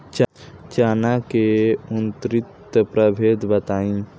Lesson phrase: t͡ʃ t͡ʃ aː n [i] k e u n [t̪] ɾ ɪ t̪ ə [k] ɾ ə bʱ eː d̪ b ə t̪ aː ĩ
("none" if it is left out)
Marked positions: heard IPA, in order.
a, t̪, p

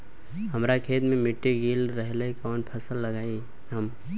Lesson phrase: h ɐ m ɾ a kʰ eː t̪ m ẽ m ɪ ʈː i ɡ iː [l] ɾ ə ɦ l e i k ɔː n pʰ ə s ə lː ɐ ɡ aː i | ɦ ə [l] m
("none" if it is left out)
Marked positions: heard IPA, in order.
l, none

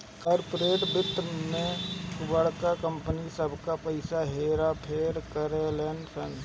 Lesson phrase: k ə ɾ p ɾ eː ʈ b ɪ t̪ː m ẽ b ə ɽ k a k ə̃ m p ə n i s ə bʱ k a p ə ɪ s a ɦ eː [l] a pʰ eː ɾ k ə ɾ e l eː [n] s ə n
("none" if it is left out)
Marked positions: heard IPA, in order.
ɾ, n

